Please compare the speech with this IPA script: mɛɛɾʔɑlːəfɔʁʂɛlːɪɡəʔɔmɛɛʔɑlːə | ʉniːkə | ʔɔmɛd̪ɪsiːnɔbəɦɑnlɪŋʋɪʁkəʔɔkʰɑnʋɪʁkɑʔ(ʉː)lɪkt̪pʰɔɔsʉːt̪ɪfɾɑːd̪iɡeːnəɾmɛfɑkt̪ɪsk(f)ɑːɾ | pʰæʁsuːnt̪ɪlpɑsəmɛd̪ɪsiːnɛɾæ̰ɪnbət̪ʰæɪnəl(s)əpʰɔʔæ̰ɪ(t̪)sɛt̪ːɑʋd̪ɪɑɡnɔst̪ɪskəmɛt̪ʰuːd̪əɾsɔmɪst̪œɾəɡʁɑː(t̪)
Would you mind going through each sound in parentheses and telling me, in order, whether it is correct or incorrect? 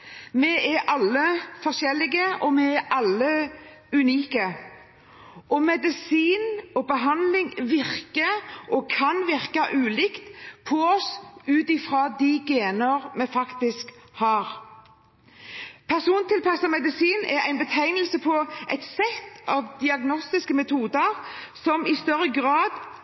correct, incorrect, correct, correct, incorrect

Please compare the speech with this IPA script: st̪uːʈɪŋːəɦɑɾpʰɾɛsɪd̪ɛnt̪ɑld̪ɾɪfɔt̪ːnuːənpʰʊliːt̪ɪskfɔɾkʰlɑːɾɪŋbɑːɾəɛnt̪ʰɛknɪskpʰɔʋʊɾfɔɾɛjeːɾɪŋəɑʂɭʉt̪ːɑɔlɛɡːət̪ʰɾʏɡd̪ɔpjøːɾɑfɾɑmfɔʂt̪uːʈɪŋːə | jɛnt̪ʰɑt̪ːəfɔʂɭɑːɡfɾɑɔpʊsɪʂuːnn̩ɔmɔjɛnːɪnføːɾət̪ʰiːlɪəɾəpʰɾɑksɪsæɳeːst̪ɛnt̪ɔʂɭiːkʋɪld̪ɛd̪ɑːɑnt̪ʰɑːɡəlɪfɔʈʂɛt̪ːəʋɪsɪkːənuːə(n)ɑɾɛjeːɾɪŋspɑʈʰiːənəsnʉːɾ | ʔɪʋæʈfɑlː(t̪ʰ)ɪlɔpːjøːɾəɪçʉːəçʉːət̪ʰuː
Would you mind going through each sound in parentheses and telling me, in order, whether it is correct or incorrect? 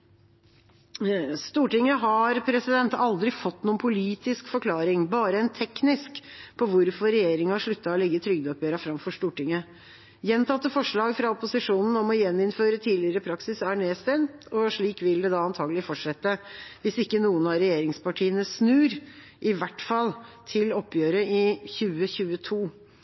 correct, correct

